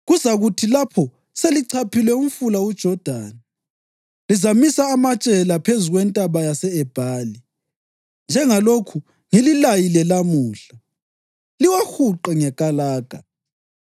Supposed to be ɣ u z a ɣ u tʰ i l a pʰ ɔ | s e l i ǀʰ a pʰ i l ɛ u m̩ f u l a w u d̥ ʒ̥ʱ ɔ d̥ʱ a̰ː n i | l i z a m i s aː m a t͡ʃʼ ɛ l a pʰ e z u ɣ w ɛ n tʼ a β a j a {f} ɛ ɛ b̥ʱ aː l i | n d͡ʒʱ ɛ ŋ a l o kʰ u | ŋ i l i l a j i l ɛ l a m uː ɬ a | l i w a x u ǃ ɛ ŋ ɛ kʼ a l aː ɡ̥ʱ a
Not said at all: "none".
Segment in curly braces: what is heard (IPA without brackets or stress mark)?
s